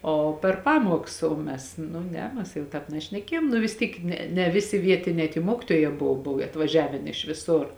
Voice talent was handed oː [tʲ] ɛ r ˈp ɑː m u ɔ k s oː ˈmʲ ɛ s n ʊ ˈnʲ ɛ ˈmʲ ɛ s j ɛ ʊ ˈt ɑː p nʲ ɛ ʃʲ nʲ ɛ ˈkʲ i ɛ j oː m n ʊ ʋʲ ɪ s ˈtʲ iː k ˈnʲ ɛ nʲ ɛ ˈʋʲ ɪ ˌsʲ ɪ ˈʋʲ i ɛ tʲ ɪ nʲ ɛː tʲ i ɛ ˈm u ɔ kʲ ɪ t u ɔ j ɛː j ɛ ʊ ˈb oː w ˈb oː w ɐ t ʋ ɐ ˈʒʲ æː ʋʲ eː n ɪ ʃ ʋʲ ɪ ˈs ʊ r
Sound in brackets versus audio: incorrect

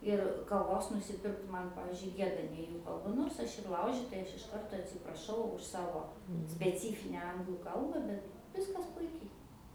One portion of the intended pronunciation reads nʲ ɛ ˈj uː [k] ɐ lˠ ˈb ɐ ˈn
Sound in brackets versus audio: correct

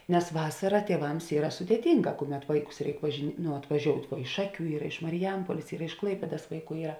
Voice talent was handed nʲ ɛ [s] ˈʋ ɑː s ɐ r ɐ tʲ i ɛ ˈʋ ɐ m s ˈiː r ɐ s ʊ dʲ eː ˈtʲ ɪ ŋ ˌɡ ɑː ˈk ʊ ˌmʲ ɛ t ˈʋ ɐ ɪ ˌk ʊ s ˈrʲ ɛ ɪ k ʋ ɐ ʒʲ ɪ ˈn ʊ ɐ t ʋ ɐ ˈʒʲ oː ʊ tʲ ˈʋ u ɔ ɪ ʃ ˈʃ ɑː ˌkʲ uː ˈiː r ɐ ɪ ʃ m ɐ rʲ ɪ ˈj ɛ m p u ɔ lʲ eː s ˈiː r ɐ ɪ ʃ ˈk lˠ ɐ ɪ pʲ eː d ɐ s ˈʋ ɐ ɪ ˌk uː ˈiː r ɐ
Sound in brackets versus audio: correct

